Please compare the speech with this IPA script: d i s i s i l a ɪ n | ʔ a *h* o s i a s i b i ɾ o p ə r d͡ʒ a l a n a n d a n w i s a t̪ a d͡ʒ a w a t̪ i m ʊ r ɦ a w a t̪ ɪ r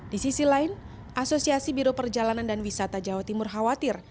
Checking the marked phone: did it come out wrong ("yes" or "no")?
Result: yes